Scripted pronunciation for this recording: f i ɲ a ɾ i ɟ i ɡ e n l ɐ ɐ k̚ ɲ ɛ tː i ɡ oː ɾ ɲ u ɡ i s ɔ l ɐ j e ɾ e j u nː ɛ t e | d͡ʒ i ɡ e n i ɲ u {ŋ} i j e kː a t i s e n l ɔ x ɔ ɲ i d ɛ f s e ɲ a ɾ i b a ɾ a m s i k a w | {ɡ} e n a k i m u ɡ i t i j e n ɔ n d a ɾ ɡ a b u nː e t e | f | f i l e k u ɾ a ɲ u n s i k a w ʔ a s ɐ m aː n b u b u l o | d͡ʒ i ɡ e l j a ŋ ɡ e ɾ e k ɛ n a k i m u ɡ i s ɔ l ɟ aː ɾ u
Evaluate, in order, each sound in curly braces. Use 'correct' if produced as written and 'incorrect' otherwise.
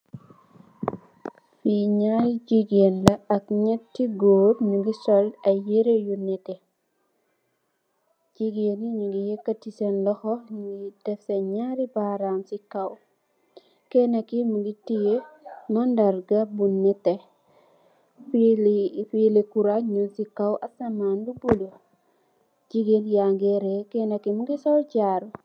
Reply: incorrect: ɡ, incorrect: k

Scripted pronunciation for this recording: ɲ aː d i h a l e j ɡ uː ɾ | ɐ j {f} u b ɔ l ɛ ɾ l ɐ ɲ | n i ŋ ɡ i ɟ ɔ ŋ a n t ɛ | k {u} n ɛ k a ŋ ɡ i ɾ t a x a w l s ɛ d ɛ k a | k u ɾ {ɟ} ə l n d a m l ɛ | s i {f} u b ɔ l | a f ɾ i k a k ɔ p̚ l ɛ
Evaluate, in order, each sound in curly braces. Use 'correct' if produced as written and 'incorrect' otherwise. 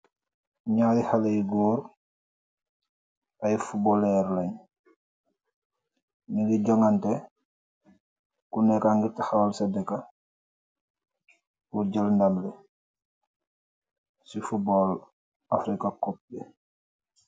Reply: correct, correct, correct, correct

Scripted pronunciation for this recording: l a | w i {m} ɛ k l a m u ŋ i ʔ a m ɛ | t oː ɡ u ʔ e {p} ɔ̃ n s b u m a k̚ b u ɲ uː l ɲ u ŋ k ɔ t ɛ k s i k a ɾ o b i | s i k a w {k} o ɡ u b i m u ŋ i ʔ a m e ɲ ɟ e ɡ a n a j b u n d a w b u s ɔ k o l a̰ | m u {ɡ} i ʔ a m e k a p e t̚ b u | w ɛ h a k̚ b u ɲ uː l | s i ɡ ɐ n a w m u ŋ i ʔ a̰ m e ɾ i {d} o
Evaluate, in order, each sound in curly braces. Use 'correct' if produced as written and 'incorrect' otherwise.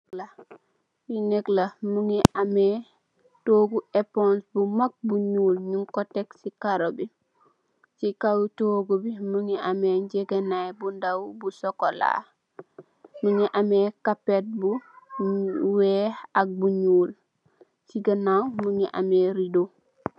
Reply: incorrect: n, correct, incorrect: t, incorrect: ŋ, correct

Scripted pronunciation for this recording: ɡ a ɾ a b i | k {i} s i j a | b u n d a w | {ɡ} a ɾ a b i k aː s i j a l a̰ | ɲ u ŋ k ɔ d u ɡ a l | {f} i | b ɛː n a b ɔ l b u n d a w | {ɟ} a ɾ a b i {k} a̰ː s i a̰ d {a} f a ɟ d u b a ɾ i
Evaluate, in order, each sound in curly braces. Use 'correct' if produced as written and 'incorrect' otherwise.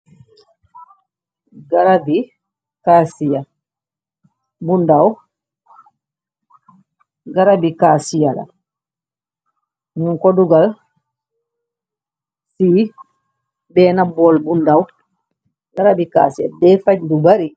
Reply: incorrect: a, correct, incorrect: s, incorrect: ɡ, correct, incorrect: ɛ

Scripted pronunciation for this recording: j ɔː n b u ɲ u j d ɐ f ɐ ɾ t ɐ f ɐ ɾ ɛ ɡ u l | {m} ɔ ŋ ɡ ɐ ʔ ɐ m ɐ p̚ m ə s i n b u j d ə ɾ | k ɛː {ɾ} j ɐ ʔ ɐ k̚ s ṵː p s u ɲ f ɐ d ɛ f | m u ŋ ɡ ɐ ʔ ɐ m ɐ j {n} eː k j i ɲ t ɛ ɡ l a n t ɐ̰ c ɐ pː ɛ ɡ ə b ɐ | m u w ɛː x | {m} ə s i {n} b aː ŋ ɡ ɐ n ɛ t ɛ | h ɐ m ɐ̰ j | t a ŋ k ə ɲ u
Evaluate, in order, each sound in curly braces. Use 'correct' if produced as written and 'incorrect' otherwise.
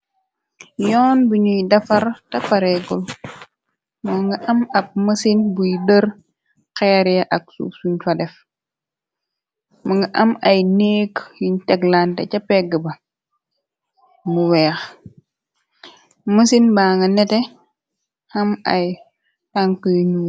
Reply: correct, correct, correct, correct, correct

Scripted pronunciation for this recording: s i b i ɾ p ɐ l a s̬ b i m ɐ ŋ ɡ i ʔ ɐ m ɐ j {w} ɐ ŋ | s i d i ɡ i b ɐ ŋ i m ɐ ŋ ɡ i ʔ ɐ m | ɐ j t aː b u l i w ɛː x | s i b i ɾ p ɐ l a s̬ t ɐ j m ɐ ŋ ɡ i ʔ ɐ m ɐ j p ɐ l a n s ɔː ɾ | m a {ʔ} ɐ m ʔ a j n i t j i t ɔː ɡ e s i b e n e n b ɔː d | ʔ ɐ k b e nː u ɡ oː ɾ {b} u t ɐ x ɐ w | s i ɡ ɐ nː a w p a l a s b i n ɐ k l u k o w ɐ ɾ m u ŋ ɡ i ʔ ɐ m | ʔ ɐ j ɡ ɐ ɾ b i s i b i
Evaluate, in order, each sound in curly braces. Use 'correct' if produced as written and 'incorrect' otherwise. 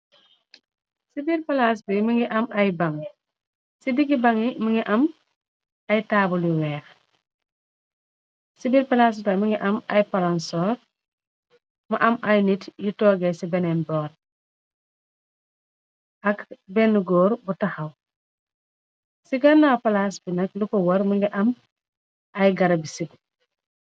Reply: incorrect: b, correct, correct

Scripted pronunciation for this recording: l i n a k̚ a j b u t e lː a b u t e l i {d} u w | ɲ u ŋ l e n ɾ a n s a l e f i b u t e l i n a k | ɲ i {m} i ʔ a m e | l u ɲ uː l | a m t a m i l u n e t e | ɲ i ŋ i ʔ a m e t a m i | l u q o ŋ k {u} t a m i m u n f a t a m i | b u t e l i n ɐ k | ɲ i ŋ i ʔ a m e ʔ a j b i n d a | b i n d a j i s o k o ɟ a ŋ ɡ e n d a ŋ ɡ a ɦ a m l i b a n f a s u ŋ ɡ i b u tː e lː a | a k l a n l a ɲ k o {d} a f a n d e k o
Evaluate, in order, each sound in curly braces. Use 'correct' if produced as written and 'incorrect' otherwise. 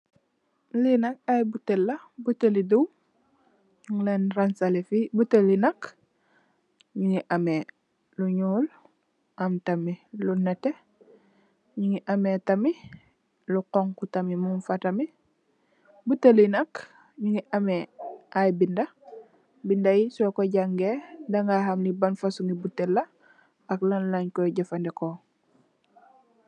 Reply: correct, incorrect: ŋ, correct, incorrect: ɟ

